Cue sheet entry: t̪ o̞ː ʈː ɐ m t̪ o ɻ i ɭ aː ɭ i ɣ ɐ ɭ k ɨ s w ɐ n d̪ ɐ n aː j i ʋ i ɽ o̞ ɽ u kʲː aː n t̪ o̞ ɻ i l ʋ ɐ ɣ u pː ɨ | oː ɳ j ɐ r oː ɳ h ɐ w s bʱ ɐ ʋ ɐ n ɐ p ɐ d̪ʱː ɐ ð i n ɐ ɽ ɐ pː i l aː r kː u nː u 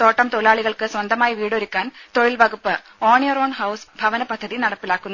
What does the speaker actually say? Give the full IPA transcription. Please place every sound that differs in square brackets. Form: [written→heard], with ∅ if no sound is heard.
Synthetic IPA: t̪ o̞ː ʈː ɐ m t̪ o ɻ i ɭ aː ɭ i ɣ ɐ ɭ k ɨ s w ɐ n d̪ ɐ [n→m] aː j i ʋ [i→iː] ɽ o̞ [ɽ→ɾ] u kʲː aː n t̪ o̞ ɻ i l ʋ ɐ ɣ u pː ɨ | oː ɳ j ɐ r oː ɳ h ɐ w s bʱ ɐ ʋ ɐ n ɐ p ɐ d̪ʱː ɐ ð i n ɐ ɽ ɐ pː i l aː [r→∅] kː u nː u

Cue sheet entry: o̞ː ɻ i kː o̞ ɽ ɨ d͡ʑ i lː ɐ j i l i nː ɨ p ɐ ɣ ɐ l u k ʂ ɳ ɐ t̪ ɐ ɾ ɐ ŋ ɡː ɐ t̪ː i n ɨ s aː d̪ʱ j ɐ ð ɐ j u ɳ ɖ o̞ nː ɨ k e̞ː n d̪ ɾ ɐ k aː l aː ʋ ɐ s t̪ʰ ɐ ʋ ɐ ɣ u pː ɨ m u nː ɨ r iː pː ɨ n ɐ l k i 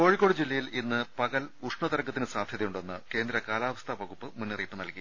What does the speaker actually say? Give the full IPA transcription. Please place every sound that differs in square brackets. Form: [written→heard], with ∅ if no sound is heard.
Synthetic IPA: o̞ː ɻ i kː o̞ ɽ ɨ d͡ʑ i lː ɐ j i l i nː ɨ p ɐ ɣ ɐ l u [k→∅] ʂ ɳ ɐ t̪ ɐ ɾ ɐ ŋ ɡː ɐ t̪ː i n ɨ s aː d̪ʱ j ɐ ð ɐ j u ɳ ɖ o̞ nː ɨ k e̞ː n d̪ ɾ ɐ k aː l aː ʋ ɐ s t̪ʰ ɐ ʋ ɐ ɣ u pː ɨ m u nː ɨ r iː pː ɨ n ɐ l k i

